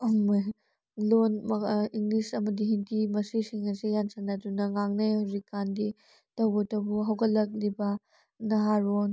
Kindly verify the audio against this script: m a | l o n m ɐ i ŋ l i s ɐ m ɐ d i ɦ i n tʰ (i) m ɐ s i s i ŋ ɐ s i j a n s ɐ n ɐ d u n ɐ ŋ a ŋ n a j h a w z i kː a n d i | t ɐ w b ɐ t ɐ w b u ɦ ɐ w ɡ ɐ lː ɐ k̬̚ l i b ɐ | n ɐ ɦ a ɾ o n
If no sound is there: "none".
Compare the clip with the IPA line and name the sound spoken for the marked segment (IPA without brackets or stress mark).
i